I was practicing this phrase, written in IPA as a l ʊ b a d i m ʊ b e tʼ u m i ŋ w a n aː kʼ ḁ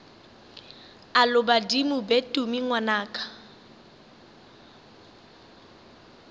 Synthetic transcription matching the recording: a l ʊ b a d i m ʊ b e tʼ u m i ŋ w a n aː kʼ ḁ